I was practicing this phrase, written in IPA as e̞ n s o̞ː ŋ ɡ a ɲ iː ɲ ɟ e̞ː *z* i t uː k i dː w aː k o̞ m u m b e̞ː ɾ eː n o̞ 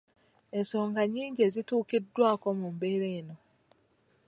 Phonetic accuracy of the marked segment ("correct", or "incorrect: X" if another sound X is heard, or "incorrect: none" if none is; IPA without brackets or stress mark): correct